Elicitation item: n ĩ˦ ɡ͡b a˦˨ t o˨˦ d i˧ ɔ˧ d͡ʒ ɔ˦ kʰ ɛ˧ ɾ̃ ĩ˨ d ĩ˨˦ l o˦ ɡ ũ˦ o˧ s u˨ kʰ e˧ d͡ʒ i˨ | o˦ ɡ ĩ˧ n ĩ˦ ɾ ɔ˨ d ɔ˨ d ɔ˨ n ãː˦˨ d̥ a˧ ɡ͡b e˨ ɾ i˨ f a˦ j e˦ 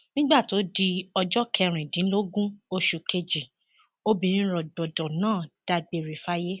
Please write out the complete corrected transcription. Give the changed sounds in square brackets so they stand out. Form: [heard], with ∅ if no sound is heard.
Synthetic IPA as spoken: n ĩ˦ ɡ͡b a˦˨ t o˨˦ d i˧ ɔ˧ d͡ʒ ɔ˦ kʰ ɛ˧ ɾ̃ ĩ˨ d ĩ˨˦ l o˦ ɡ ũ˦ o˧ [ʃ] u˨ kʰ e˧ d͡ʒ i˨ | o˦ [b] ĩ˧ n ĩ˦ ɾ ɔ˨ d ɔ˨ d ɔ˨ n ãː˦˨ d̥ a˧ ɡ͡b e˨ ɾ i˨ f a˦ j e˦